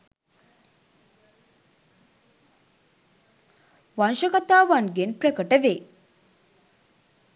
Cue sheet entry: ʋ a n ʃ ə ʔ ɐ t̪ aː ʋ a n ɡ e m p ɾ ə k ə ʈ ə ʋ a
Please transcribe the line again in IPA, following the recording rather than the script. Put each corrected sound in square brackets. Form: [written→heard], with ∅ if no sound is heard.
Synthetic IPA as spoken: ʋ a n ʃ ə [ʔ→k] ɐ t̪ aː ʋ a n ɡ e [m→n] p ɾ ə k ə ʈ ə ʋ [a→e]